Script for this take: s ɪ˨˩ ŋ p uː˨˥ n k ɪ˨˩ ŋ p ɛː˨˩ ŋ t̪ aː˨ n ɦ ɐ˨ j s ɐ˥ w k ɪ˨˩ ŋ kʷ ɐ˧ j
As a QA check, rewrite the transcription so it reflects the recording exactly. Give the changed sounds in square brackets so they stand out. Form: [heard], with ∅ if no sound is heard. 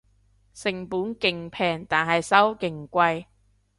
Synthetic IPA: s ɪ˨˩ ŋ p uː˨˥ n k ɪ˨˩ ŋ [pʰ] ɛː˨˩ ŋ t̪ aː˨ n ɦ ɐ˨ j s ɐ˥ w k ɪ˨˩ ŋ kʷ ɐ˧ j

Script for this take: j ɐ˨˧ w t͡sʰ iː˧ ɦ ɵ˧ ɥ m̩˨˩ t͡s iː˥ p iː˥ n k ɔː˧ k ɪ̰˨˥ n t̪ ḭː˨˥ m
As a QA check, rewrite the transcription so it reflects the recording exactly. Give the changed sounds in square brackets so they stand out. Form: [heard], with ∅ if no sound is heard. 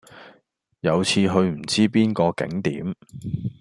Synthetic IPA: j ɐ˨˧ w t͡sʰ iː˧ ɦ ɵ˧ ɥ m̩˨˩ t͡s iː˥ p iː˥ n k ɔː˧ k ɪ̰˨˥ [ŋ] t̪ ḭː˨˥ m

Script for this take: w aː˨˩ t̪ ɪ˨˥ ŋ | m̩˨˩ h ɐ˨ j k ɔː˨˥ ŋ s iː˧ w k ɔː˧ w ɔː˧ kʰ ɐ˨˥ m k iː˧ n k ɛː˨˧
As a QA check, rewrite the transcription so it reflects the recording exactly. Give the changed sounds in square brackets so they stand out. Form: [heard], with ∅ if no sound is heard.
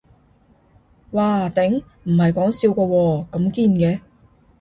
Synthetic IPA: w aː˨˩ t̪ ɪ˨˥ ŋ | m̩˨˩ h ɐ˨ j k ɔː˨˥ ŋ s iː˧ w k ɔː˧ w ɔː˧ [k] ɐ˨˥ m k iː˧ n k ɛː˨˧

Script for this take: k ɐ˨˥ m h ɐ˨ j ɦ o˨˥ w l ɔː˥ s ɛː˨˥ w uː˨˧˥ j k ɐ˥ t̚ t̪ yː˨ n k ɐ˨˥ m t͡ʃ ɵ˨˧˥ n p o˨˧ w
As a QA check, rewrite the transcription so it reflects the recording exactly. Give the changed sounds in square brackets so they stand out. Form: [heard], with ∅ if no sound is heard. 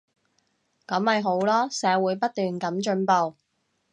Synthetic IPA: k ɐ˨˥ m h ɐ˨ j ɦ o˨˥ w l ɔː˥ s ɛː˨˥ w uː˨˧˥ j [p] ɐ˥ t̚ t̪ yː˨ n k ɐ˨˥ m t͡ʃ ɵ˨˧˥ n p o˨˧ w

